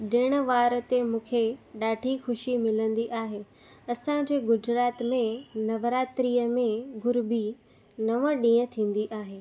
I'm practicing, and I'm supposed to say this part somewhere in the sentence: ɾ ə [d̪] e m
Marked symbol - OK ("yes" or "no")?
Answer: no